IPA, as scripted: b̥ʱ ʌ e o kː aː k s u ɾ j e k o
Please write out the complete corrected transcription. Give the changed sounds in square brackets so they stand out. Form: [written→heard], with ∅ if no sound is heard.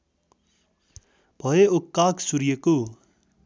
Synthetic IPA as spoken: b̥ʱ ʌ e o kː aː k s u ɾ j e k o